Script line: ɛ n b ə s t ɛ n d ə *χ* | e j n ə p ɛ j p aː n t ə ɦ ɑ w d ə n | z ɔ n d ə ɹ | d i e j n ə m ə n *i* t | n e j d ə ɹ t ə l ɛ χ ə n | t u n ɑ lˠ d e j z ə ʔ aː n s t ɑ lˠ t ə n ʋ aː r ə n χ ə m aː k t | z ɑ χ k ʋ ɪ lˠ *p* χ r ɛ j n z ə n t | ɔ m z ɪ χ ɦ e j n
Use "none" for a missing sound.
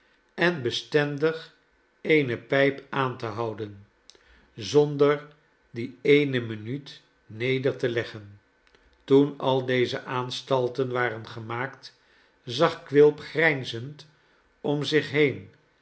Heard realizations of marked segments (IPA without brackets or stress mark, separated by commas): χ, y, p